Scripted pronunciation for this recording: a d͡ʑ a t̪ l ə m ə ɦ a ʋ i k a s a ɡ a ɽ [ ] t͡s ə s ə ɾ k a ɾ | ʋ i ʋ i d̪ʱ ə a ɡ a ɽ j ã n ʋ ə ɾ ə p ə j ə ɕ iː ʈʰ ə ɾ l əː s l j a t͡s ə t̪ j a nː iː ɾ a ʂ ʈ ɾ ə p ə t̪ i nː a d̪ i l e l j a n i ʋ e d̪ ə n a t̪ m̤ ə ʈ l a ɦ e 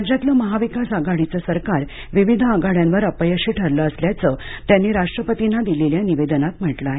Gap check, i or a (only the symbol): i